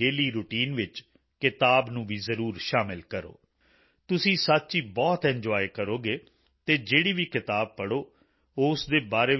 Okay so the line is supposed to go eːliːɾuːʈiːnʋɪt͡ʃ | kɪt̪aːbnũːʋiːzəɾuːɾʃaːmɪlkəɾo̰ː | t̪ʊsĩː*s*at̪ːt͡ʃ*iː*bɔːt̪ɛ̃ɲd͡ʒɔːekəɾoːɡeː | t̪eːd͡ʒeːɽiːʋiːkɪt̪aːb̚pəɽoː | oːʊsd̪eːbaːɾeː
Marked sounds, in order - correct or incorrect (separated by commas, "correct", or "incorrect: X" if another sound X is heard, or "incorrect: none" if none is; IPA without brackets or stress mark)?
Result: correct, correct